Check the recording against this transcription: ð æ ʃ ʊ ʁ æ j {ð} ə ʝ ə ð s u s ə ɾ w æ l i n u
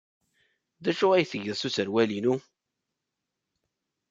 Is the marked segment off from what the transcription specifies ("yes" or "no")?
yes